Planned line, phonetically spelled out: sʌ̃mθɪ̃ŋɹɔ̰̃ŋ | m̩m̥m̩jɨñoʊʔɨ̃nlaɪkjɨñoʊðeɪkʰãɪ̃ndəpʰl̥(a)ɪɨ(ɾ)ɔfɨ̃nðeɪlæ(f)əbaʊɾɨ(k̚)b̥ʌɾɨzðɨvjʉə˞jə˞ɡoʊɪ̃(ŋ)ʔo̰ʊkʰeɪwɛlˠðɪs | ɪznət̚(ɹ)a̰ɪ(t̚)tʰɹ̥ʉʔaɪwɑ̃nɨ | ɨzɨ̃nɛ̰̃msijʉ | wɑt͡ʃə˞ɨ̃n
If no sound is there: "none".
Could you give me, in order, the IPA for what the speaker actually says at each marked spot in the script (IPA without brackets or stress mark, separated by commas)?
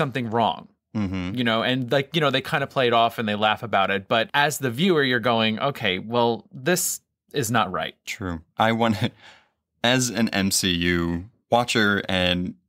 e, ɾ, f, t̚, ŋ, ɹ, t̚